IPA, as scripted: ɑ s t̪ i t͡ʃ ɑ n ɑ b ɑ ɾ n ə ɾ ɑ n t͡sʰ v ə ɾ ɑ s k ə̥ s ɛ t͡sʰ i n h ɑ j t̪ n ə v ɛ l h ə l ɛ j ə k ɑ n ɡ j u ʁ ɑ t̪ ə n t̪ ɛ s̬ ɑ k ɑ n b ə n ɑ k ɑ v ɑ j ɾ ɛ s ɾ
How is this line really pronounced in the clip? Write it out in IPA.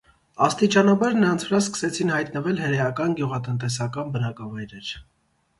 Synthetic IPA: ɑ s t̪ i t͡ʃ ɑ n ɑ b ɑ ɾ n ə ɾ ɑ n t͡sʰ v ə ɾ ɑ s k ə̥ s ɛ t͡sʰ i n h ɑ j t̪ n ə v ɛ l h ə ɾ ɛ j ɑ k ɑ n ɡ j u ʁ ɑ t̪ ə n t̪ ɛ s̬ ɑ k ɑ n b ə n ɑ k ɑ v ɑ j ɾ ɛ ɾ